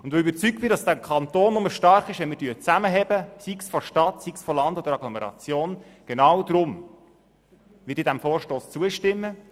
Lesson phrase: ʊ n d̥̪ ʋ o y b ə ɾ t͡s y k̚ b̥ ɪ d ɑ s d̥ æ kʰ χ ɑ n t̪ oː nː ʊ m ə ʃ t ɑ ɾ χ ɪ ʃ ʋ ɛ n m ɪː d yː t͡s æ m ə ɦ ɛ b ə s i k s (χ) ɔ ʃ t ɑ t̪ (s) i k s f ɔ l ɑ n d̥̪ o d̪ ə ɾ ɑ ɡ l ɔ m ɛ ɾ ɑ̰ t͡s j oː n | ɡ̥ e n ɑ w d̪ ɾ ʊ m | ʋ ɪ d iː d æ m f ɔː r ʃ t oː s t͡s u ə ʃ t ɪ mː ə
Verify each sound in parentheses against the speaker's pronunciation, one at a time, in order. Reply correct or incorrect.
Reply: incorrect: f, correct

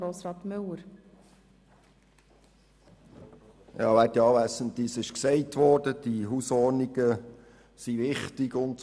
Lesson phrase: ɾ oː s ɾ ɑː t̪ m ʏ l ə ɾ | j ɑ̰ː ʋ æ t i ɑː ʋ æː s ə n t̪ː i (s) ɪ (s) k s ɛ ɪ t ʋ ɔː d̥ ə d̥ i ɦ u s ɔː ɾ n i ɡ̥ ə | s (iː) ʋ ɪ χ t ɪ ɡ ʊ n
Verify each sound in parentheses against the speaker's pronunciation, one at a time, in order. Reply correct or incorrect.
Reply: correct, incorrect: ʃ, incorrect: i

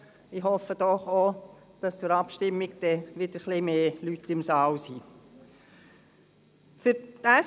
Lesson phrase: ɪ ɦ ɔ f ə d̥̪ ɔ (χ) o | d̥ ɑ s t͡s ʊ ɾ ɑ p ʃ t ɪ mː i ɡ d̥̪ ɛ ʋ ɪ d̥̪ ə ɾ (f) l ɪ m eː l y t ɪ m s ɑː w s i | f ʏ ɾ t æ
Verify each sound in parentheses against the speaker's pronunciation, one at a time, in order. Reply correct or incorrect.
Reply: correct, incorrect: χ

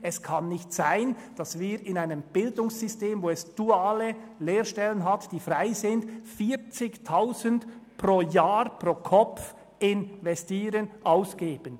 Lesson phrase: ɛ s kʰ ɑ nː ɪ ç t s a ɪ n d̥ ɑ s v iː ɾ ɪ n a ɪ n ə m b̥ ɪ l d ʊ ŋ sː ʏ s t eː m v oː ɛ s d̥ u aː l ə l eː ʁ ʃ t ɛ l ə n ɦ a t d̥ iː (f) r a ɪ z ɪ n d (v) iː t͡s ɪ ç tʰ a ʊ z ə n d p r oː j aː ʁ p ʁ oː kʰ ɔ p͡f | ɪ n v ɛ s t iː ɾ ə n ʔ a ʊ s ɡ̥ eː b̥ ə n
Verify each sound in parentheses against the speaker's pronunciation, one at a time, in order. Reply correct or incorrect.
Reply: correct, incorrect: f

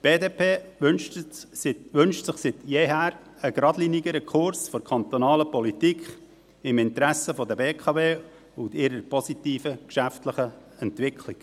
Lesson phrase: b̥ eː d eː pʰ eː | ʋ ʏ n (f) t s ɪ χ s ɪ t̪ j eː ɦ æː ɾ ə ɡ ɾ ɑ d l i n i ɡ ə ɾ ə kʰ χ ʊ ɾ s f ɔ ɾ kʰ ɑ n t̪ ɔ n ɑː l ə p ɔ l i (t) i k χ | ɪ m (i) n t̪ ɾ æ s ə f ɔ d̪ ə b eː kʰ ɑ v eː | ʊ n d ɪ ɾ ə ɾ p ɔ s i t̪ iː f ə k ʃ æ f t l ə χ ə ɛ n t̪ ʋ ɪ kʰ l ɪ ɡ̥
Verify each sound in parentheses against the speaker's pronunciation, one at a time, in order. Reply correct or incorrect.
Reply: incorrect: ʃ, correct, incorrect: ɪ

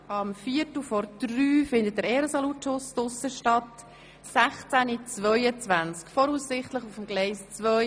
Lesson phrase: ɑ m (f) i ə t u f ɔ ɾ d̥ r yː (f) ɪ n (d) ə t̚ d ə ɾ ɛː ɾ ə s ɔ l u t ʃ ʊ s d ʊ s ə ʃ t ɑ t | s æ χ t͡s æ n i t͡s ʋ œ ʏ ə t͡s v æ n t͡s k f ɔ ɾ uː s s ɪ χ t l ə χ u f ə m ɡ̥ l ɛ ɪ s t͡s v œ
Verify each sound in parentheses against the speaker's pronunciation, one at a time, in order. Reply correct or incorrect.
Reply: correct, correct, correct

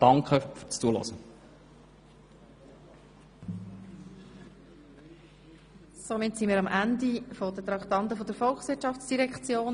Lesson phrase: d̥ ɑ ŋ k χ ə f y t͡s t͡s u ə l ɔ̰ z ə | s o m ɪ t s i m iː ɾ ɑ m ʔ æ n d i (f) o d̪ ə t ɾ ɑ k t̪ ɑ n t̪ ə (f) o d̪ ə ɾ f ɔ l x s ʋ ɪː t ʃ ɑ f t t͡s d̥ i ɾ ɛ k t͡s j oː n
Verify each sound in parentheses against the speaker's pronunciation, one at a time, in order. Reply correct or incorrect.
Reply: correct, correct

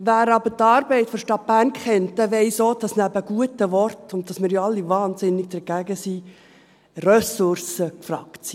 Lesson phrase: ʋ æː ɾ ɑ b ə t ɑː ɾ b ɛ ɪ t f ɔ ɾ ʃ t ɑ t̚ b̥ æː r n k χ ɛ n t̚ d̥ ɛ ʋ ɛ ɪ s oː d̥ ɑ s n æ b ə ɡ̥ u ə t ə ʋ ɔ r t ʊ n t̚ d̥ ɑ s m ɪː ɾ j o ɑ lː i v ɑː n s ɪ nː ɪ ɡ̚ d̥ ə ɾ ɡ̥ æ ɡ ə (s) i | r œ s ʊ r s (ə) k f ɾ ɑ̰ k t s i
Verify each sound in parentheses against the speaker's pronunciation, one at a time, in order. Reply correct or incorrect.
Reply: correct, correct

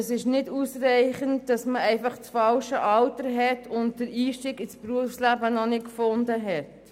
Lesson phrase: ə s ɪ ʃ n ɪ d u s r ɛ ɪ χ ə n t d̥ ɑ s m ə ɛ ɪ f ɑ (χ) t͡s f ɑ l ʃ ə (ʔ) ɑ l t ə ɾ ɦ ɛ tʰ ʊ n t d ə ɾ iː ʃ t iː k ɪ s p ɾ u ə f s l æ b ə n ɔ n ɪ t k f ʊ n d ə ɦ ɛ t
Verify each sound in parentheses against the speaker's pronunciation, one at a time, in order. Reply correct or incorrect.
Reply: correct, correct

